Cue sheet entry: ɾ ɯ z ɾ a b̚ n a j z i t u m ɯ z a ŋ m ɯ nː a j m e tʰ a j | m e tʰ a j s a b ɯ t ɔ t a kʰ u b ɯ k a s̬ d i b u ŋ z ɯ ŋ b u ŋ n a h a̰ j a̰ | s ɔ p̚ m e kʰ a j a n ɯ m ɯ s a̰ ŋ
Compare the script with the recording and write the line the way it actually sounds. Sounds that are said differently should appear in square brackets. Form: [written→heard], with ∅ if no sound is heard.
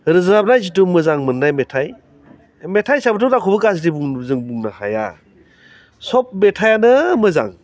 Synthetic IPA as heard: ɾ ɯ z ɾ a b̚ n a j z i t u m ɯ z a ŋ m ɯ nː a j m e tʰ a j | m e tʰ a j s a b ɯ t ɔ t a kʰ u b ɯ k a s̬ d i b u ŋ z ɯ ŋ b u ŋ n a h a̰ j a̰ | s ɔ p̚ m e [kʰ→tʰ] a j a n ɯ m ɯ [s→z] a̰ ŋ